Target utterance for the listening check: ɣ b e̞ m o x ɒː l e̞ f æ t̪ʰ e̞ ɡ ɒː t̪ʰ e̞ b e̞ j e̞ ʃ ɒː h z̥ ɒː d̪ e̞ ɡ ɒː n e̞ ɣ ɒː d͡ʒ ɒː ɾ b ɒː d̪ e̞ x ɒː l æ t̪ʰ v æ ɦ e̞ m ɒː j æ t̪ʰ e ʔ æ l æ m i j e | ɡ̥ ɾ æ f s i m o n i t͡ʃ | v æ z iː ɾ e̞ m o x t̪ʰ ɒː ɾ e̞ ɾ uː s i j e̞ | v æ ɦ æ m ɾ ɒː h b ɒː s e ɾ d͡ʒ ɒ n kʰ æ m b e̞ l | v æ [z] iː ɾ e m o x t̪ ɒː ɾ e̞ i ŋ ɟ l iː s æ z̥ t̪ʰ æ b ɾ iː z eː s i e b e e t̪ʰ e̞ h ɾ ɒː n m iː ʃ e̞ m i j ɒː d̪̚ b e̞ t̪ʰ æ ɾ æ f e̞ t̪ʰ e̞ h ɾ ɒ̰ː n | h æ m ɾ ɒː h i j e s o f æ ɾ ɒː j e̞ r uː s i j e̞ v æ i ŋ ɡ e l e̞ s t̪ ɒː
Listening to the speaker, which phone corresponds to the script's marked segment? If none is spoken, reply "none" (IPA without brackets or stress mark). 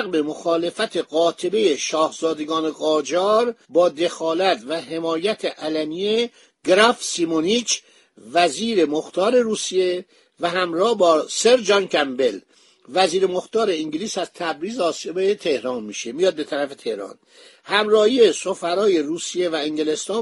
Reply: z